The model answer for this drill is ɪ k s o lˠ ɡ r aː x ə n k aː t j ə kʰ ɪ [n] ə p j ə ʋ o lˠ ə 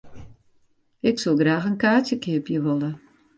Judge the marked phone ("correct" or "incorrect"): incorrect